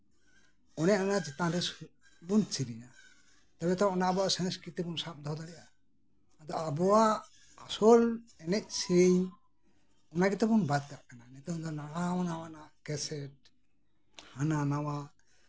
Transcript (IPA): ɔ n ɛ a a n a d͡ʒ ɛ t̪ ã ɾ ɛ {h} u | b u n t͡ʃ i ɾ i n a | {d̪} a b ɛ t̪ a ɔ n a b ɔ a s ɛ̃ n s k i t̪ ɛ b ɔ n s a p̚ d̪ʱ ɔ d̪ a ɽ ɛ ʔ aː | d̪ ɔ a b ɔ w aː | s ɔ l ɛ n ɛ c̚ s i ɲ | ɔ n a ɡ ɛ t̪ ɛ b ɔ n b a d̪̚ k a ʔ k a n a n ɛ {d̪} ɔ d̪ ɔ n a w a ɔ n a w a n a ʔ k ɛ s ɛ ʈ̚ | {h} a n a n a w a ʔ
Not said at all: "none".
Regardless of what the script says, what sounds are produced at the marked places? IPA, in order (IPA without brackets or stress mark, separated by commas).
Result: s, t̪, t̪, h